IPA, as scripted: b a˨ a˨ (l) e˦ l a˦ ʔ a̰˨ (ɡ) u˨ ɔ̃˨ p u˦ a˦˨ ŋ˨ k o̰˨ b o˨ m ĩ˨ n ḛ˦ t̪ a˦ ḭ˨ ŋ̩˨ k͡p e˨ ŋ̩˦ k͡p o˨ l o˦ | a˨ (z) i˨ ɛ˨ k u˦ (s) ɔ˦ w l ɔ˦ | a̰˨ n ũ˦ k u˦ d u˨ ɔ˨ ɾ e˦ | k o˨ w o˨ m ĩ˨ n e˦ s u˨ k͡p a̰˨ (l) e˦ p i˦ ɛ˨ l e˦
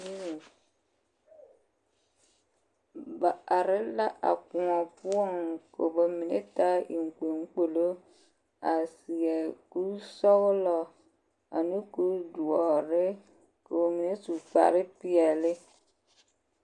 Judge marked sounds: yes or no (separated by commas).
no, no, no, yes, no